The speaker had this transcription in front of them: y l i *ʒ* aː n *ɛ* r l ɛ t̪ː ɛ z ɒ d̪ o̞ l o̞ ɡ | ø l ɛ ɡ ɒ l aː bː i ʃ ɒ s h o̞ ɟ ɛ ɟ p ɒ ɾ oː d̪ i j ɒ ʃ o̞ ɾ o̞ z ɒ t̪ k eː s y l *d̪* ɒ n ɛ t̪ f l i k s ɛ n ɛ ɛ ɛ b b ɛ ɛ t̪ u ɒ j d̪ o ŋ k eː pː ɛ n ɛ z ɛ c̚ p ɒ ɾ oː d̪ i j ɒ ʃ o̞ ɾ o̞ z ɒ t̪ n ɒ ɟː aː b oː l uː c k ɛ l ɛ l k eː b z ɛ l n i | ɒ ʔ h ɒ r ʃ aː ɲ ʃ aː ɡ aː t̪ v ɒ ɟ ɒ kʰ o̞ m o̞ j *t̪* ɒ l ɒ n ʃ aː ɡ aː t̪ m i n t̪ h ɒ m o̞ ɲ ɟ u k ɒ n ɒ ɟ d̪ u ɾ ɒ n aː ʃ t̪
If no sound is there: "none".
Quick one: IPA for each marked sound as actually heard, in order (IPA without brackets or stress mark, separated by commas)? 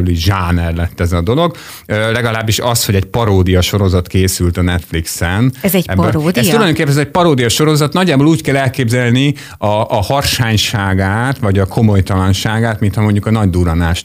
ʒ, ɛ, t̪, t̪